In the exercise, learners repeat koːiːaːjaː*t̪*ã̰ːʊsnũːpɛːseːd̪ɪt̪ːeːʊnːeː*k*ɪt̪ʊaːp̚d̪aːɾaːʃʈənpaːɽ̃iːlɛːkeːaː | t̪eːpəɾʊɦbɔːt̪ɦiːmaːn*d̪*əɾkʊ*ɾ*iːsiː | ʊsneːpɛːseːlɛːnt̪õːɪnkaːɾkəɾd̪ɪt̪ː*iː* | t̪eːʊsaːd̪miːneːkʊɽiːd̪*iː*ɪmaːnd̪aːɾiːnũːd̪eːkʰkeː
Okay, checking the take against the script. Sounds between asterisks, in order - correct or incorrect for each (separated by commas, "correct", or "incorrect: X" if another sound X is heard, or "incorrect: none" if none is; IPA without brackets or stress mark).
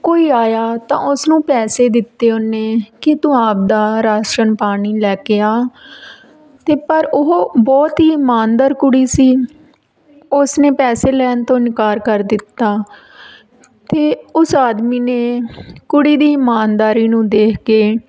correct, correct, correct, incorrect: ɽ, incorrect: aː, correct